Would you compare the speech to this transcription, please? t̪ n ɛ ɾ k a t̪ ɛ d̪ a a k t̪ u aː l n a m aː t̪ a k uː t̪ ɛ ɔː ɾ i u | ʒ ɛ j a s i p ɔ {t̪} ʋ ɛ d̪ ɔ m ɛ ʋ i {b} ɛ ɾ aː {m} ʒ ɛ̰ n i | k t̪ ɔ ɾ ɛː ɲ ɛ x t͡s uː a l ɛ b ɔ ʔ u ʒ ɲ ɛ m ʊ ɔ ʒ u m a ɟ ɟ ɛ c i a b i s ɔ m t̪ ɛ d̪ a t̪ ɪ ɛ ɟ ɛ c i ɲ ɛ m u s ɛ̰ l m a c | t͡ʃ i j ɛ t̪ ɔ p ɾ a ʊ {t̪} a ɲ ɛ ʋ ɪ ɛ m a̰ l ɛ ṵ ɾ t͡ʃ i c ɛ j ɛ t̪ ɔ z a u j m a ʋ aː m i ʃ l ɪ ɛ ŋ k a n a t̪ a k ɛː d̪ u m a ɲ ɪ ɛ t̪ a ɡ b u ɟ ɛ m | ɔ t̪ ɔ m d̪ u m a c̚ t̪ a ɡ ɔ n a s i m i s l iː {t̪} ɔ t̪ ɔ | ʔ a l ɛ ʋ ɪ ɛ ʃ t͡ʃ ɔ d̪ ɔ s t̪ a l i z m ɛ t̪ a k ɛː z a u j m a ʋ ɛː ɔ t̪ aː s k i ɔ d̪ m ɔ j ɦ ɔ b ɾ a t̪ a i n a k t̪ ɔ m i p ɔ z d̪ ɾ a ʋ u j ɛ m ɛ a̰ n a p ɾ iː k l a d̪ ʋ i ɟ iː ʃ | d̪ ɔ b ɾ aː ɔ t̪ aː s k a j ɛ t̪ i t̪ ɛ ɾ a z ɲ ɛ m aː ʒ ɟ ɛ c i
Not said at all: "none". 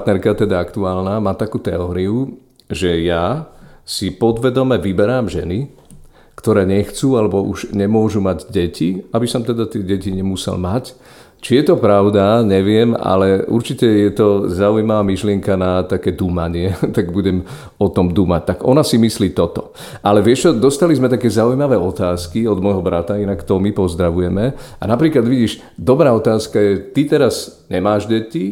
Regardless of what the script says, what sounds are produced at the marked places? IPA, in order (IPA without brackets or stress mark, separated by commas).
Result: d̪, b, m, d̪, t̪